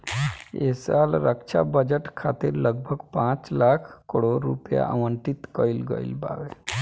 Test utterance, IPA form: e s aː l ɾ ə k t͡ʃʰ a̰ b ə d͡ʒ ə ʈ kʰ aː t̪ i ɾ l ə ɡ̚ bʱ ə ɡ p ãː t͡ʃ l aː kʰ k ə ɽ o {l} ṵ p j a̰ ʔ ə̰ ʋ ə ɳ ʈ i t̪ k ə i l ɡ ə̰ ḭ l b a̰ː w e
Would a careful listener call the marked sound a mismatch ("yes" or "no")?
yes